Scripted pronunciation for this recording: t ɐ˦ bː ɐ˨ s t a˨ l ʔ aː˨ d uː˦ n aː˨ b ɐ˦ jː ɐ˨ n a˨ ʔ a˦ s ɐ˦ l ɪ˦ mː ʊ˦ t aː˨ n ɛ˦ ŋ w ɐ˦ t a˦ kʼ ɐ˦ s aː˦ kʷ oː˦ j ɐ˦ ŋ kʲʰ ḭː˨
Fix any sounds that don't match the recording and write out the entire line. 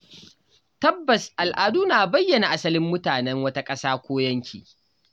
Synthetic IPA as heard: t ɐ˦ bː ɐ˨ s ʔ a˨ l ʔ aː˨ d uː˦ n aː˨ b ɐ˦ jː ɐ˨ n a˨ ʔ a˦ s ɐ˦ l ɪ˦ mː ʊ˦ t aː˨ n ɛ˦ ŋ w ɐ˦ t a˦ kʼ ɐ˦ s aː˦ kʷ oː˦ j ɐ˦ ŋ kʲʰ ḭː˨